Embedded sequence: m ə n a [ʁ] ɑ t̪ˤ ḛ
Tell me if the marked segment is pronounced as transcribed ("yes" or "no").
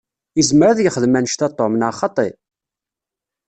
no